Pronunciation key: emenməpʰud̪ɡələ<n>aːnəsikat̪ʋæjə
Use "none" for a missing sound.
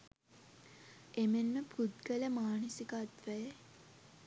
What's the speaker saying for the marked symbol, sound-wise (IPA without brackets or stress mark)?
m